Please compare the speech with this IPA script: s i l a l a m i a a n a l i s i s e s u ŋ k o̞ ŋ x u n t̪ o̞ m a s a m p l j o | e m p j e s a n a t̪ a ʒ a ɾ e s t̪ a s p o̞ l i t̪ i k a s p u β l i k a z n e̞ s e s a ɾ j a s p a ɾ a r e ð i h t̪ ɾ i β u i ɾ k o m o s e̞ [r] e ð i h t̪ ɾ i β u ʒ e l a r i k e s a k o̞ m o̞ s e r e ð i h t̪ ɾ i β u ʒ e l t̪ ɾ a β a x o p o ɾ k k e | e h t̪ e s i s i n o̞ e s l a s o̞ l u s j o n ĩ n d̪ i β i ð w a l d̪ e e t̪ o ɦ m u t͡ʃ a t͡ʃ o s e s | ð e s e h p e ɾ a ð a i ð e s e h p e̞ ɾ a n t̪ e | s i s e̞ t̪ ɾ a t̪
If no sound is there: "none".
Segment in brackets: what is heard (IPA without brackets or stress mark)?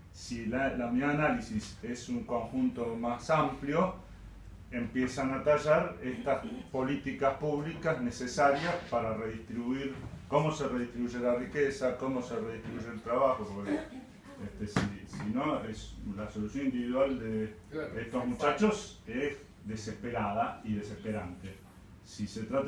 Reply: r